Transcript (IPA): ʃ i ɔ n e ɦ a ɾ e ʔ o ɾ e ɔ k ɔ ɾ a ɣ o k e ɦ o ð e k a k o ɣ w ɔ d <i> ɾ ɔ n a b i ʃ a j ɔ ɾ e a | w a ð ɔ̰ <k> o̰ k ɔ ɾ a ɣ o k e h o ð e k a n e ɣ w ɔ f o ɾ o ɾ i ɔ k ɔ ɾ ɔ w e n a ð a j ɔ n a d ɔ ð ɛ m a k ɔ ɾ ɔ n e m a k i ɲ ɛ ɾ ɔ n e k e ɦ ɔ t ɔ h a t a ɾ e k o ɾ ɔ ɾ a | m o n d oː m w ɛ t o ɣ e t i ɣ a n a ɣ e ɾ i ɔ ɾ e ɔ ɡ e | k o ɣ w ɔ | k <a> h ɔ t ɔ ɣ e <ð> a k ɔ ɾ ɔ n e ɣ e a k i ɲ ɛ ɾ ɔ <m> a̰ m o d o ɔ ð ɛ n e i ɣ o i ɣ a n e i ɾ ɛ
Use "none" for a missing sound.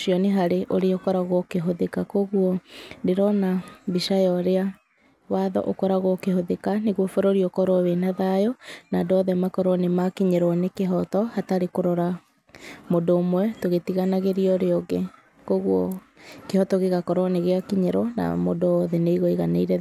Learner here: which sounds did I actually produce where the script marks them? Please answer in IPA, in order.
e, ʔ, e, ɣ, n

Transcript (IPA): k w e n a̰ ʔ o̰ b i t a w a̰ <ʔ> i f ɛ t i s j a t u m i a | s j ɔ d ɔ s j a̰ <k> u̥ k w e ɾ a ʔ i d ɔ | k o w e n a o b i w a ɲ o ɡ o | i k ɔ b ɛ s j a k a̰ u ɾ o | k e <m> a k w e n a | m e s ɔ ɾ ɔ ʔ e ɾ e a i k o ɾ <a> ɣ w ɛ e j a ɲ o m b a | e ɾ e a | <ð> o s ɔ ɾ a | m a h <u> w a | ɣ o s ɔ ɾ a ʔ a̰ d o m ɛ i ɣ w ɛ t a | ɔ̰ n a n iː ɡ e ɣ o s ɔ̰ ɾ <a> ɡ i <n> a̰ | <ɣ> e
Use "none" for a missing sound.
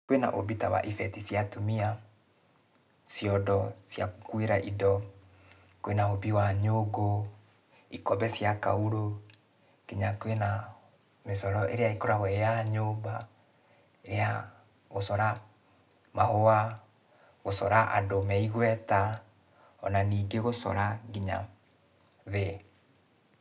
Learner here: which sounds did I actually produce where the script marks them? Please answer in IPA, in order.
ʔ, k, ɲ, a, ɣ, o, a, ɲ, ð

